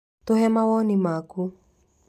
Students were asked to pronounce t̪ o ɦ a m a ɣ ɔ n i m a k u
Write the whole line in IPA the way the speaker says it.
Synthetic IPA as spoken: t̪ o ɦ ɛ m a w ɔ n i m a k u